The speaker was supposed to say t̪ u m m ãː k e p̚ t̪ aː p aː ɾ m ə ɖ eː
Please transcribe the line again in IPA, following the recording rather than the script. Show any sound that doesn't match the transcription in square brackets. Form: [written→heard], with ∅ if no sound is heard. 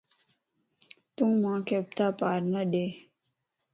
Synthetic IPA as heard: t̪ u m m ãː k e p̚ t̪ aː p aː ɾ [m→n] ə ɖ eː